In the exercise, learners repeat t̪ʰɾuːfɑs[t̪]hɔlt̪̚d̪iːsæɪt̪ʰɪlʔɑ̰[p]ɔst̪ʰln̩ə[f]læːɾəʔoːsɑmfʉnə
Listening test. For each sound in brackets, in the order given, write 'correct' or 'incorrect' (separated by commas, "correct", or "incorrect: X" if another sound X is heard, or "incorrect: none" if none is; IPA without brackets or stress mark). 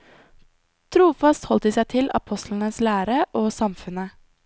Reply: correct, incorrect: pʰ, incorrect: s